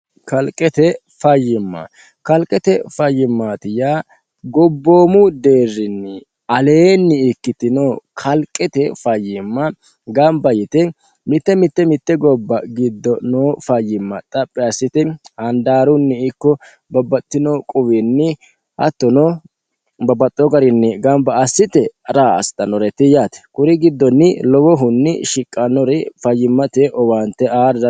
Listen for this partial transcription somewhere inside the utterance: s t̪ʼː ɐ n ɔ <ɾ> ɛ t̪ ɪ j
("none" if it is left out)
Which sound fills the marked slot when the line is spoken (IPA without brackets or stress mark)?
ɾ